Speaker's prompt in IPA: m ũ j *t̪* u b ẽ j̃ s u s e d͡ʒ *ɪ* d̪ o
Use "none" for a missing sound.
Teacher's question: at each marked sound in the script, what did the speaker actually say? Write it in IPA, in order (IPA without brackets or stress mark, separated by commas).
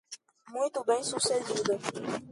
t̪, i